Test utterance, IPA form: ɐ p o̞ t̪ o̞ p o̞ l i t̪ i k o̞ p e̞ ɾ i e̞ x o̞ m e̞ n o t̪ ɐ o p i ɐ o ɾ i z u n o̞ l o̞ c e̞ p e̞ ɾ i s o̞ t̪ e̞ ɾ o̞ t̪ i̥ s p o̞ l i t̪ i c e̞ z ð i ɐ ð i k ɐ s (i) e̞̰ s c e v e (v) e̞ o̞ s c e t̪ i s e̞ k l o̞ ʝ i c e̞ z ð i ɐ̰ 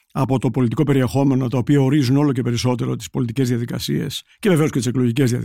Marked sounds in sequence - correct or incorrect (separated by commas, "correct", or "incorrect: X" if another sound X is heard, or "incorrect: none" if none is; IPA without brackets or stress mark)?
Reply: correct, correct